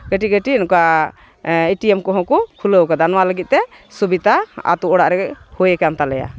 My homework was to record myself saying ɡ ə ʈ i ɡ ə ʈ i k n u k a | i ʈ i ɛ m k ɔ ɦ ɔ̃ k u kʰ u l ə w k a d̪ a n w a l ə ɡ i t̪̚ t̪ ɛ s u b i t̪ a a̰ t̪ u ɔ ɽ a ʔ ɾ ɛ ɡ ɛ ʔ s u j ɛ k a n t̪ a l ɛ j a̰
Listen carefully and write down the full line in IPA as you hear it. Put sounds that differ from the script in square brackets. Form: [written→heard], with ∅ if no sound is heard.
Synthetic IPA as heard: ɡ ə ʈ i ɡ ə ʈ i [k→∅] n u k a | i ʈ i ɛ m k ɔ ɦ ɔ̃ k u kʰ u l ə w k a d̪ a n w a l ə ɡ i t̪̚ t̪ ɛ s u b i t̪ a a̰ t̪ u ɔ ɽ a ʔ ɾ ɛ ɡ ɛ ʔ [s→h] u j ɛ k a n t̪ a l ɛ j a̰